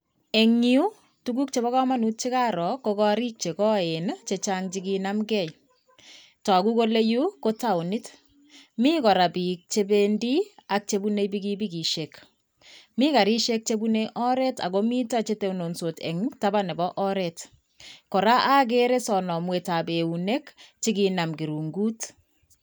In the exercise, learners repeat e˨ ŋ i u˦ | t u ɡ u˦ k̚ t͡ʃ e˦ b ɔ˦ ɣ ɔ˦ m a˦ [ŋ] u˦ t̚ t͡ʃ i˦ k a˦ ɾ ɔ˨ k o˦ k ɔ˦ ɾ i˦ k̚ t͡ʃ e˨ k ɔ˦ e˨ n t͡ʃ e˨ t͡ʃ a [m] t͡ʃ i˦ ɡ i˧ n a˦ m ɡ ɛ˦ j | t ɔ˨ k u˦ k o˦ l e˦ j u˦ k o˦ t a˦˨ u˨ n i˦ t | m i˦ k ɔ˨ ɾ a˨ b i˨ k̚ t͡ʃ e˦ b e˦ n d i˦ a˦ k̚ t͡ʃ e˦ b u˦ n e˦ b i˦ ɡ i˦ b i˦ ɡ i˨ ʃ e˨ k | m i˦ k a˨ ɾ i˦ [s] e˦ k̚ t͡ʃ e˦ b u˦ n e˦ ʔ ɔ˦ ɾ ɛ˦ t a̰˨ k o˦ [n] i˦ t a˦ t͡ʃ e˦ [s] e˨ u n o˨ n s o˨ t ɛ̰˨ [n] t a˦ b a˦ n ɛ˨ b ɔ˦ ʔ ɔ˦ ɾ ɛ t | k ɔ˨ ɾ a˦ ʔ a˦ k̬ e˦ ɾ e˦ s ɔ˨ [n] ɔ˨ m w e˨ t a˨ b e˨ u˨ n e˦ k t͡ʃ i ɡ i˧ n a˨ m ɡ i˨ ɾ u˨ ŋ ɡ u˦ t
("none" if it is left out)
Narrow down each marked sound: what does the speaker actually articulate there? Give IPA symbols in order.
n, ŋ, ʃ, m, t, ŋ, n

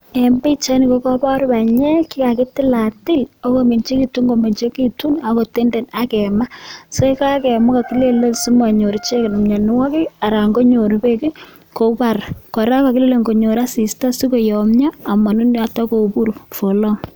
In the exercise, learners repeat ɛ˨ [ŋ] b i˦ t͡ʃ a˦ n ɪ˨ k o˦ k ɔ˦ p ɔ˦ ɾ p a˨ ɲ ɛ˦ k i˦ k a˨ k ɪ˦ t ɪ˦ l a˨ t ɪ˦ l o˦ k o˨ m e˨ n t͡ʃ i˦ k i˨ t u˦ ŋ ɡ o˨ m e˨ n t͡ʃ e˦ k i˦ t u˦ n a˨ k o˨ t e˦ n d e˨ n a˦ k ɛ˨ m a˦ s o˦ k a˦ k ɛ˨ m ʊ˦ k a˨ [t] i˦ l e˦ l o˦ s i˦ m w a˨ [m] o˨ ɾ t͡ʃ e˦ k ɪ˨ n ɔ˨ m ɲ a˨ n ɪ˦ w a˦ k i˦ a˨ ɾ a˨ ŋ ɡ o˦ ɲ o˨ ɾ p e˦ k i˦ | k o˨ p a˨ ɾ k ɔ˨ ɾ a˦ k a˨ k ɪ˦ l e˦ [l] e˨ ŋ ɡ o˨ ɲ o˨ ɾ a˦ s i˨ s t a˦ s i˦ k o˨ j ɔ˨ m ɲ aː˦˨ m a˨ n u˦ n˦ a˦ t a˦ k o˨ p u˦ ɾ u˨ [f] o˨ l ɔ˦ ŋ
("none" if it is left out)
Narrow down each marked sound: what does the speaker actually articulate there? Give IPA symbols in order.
m, k, ɲ, l, f

